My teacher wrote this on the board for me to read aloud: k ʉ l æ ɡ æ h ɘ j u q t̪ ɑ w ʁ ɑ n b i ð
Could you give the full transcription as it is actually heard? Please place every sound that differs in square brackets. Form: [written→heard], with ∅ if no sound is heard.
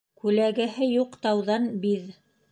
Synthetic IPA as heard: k ʉ l æ ɡ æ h ɘ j u q t̪ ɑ w [ʁ→ð] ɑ n b i ð